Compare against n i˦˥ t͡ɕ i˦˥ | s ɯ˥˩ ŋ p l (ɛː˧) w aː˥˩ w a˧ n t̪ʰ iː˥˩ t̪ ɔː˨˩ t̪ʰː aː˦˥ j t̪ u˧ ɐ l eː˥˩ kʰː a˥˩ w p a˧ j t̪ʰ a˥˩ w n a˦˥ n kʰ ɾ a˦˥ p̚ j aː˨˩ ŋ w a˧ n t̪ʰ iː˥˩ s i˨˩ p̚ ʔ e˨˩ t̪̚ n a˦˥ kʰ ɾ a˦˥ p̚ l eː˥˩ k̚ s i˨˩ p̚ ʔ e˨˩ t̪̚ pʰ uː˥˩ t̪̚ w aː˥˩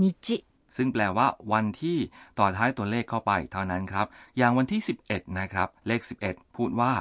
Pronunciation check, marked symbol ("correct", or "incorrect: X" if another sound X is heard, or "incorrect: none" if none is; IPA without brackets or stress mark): correct